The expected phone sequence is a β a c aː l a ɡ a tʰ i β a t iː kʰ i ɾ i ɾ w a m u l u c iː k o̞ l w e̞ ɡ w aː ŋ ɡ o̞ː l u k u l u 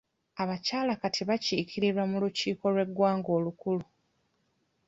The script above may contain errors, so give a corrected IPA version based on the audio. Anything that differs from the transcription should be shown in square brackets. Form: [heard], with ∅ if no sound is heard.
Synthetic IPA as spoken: a β a c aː l a [k] a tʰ i β a [c] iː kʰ i ɾ i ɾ w a m u l u c iː k o̞ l w e̞ ɡ w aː ŋ ɡ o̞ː l u k u l u